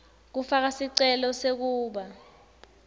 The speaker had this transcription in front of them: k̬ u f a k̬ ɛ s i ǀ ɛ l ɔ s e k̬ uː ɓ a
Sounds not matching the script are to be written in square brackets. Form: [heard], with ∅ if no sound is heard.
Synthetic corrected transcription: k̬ u f a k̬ [a] s i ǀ ɛ l ɔ s e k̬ uː ɓ a